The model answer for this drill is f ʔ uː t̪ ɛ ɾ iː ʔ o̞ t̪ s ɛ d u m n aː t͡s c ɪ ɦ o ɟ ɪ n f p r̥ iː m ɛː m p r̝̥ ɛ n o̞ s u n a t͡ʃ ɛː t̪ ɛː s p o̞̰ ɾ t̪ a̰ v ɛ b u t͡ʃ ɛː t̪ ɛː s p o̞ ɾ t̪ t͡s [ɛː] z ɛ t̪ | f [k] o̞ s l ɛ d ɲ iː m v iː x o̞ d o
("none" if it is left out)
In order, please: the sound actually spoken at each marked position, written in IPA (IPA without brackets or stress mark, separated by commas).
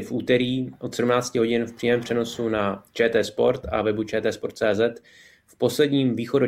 ɛː, p